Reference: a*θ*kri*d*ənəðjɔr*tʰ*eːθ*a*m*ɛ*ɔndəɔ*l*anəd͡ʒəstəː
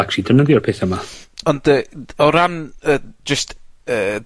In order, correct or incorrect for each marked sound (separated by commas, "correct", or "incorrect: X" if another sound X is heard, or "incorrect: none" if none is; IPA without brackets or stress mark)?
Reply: incorrect: none, correct, incorrect: pʰ, incorrect: ə, incorrect: a, incorrect: ɾ